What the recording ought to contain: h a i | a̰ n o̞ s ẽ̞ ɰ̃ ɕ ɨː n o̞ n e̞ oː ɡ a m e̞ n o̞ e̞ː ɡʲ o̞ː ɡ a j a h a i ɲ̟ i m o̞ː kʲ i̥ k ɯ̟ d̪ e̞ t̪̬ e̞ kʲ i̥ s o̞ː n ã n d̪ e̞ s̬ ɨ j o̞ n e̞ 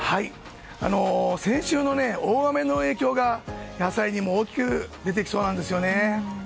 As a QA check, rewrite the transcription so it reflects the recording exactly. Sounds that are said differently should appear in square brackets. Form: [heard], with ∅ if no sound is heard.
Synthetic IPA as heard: h a i | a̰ n o̞ s ẽ̞ ɰ̃ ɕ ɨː n o̞ n e̞ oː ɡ a m e̞ n o̞ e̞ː [kʲ] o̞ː ɡ a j a [s] a i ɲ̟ i m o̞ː kʲ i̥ k ɯ̟ d̪ e̞ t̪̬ e̞ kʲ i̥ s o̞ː n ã n d̪ e̞ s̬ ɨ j o̞ n e̞